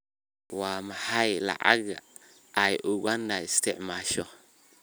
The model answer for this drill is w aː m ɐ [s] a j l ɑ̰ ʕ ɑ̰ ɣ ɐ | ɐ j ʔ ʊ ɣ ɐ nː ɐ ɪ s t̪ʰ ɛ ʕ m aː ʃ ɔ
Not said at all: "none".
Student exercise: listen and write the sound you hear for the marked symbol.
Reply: ħ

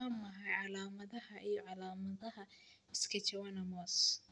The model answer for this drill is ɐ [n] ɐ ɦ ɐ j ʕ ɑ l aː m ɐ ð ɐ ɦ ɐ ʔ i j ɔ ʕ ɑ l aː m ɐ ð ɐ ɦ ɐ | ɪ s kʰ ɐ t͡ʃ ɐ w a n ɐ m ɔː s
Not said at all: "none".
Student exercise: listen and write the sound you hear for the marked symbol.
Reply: m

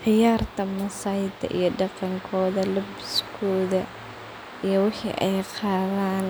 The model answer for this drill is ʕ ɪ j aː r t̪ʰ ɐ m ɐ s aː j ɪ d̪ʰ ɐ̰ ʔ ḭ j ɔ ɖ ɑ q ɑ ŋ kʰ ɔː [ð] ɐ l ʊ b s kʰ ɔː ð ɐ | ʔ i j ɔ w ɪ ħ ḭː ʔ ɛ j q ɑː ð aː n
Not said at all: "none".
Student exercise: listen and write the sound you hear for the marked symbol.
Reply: ð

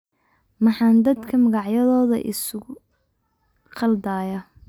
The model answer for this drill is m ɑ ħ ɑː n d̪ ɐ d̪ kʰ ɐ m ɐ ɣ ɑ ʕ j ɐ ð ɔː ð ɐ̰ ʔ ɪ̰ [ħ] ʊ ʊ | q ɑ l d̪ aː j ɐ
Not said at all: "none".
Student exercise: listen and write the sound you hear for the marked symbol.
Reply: s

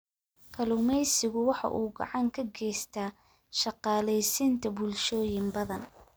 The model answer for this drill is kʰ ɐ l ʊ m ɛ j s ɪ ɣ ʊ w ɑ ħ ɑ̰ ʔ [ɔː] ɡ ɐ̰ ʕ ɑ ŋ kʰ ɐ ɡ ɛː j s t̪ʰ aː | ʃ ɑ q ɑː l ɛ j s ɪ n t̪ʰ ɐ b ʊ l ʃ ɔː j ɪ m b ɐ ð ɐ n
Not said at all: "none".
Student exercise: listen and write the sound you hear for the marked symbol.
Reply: uː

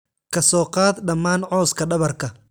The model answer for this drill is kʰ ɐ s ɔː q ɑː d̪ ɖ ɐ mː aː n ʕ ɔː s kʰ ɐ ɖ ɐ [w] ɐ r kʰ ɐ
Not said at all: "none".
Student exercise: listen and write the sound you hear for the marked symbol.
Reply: β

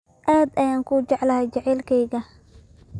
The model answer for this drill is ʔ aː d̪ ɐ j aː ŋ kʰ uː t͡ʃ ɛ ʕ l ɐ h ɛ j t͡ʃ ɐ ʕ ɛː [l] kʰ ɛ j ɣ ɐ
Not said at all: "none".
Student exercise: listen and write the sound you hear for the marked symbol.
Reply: l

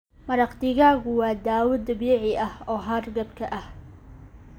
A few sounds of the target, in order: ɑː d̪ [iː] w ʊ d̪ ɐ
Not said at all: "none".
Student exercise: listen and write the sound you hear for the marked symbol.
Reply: aː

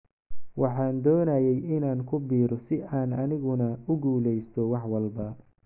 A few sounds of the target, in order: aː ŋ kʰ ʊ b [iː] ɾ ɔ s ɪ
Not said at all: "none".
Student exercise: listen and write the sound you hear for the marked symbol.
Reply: iː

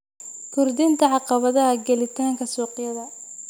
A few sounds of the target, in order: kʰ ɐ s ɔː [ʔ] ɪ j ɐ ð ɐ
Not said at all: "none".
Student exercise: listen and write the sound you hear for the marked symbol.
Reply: q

